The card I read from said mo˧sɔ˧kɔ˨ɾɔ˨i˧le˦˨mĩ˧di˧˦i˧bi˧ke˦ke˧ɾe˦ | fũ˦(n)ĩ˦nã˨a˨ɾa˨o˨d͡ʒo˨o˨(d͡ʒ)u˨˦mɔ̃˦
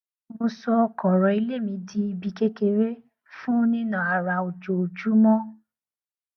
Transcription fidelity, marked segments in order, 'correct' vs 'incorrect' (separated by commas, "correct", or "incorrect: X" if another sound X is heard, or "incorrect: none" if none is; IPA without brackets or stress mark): correct, correct